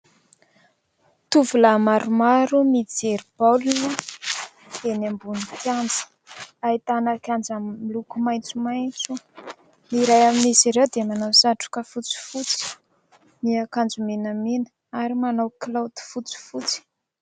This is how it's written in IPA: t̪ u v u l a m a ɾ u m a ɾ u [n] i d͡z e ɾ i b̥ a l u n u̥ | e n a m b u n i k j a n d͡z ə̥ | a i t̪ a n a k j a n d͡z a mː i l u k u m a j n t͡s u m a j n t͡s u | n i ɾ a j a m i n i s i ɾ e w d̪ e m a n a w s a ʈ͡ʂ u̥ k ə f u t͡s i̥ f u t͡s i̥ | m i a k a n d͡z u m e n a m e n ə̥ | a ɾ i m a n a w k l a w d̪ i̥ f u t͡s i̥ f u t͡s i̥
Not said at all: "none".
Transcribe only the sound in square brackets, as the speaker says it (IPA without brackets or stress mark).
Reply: m